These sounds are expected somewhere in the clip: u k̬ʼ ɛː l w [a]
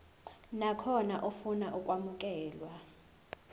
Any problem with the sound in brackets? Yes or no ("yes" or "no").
no